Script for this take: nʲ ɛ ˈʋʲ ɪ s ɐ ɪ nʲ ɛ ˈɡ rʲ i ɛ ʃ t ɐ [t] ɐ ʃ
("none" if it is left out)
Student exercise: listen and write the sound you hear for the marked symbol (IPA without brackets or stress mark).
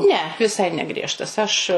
s